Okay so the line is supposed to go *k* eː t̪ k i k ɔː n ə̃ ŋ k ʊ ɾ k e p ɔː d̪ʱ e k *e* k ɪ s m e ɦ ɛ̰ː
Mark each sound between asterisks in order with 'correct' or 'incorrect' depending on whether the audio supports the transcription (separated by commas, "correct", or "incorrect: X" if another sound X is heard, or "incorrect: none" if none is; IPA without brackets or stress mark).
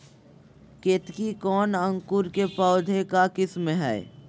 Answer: correct, incorrect: a